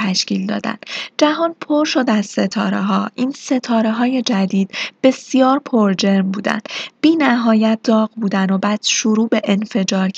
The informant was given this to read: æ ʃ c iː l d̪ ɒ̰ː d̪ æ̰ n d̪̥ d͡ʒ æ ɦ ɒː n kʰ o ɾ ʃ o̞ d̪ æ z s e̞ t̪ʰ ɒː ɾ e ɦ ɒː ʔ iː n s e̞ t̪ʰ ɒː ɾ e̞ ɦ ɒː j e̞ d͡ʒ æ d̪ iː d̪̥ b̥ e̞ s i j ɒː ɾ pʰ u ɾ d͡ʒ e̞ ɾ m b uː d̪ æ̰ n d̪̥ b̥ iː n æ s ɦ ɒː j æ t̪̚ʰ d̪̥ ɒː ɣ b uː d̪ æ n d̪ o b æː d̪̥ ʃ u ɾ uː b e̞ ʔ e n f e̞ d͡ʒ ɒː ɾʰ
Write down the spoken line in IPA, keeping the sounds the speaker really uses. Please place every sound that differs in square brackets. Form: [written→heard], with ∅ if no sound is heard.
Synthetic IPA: æ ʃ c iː l d̪ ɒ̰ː d̪ æ̰ n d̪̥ d͡ʒ æ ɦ ɒː n [kʰ→pʰ] o ɾ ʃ o̞ d̪ æ z s e̞ t̪ʰ ɒː ɾ e ɦ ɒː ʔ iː n s e̞ t̪ʰ ɒː ɾ e̞ ɦ ɒː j e̞ d͡ʒ æ d̪ iː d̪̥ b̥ e̞ s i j ɒː ɾ pʰ [u→o] ɾ d͡ʒ e̞ ɾ m b uː d̪ æ̰ n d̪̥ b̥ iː n æ [s→∅] ɦ ɒː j æ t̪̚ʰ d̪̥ ɒː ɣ b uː d̪ æ n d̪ o b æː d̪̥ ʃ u ɾ uː b e̞ ʔ e n f e̞ d͡ʒ ɒː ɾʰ